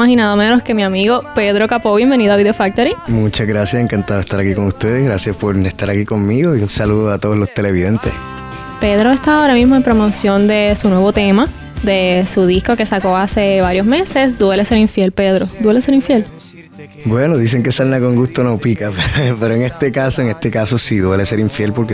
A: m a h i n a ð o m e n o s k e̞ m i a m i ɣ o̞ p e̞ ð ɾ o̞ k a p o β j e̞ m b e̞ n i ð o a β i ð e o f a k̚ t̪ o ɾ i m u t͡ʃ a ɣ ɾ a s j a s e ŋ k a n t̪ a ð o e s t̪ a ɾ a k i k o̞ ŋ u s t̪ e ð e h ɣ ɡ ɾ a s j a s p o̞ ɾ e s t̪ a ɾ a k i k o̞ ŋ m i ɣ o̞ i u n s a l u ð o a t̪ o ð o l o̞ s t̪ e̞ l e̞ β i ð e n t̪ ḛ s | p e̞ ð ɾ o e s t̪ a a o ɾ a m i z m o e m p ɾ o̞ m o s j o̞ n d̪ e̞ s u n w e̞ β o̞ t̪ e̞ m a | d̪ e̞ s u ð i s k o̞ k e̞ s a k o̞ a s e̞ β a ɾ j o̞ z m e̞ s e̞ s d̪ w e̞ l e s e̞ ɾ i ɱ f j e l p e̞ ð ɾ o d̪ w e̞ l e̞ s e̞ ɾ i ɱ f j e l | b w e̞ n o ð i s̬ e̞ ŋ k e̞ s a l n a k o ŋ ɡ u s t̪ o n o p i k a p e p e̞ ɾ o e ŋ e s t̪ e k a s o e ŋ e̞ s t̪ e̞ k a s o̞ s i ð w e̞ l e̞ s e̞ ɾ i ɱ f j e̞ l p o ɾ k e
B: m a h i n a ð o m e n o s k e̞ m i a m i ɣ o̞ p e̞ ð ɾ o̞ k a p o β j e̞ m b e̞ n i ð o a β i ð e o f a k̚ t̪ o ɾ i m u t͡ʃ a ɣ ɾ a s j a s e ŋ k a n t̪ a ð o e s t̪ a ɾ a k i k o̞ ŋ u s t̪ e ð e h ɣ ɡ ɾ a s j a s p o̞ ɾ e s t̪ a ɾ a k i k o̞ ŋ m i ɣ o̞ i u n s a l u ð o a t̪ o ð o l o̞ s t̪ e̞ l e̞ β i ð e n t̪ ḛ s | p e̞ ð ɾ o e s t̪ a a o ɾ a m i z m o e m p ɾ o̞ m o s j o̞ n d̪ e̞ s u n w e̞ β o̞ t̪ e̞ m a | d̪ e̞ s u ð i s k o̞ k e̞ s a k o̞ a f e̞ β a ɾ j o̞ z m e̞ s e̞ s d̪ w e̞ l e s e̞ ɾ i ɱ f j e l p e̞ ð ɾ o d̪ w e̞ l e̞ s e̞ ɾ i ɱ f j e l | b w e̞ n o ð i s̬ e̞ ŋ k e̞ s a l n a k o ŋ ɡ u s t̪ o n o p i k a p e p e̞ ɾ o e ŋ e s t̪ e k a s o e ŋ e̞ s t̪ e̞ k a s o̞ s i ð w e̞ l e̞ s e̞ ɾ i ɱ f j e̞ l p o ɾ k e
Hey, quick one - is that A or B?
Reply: A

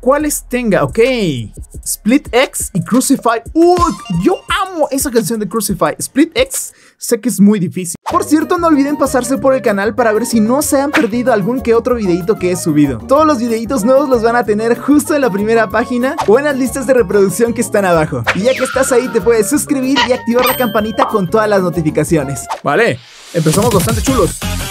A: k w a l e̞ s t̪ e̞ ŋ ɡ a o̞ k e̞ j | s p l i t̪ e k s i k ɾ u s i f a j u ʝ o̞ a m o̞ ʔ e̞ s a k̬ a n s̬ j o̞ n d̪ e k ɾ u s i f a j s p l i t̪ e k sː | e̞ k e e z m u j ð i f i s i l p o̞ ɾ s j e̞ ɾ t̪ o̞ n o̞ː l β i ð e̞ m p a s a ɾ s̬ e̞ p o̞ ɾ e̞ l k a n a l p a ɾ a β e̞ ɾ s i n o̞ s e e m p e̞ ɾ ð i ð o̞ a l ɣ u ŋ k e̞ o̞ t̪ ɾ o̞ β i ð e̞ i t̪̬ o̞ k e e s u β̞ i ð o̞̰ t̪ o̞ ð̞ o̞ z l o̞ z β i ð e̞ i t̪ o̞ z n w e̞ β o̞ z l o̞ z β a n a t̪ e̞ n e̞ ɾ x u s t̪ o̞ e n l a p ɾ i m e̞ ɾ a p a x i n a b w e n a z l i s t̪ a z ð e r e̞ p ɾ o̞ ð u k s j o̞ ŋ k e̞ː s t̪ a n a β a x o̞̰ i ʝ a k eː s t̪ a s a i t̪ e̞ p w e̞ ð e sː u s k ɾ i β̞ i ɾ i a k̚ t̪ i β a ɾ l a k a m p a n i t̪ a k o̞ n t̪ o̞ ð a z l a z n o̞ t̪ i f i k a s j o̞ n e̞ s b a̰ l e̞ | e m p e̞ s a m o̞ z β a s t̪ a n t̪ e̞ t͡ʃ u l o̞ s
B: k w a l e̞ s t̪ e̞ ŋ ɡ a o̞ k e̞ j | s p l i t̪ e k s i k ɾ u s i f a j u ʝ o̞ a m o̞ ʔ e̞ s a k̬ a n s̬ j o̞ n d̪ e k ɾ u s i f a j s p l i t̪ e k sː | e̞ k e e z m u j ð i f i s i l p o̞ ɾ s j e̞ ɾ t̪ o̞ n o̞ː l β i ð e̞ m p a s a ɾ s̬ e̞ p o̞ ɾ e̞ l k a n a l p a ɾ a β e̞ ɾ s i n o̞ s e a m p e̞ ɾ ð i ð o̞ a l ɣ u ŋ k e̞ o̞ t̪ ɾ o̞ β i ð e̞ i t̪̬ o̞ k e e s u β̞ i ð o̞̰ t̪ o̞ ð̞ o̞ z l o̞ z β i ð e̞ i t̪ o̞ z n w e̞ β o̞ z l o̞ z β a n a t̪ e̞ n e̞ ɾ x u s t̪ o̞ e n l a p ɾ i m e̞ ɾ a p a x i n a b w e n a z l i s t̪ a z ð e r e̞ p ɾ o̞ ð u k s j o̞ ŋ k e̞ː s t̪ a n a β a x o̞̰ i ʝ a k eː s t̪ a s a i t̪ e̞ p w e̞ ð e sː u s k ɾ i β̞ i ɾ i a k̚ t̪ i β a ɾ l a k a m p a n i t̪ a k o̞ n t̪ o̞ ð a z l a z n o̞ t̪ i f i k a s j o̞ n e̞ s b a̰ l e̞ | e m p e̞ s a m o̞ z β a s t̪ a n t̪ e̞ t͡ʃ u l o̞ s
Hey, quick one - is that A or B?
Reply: B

